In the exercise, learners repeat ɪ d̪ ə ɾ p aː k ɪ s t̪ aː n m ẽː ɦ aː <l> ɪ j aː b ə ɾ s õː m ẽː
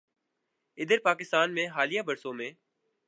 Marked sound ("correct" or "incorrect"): correct